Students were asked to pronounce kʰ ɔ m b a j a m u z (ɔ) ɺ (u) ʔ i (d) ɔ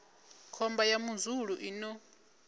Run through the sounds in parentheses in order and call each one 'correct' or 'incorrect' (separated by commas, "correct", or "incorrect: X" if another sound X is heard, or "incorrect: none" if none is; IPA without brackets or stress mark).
incorrect: u, correct, incorrect: n